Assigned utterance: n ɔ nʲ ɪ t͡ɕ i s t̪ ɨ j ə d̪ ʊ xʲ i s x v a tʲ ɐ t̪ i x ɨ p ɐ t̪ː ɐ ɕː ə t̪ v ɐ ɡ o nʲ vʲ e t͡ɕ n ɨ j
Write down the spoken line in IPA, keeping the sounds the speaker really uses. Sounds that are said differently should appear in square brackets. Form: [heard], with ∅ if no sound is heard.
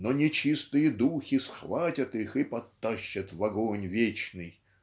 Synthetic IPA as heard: n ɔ nʲ ɪ t͡ɕ i s t̪ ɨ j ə d̪ [u] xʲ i s x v a tʲ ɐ t̪ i x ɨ p ɐ t̪ː [a] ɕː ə t̪ v ɐ ɡ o nʲ vʲ e t͡ɕ n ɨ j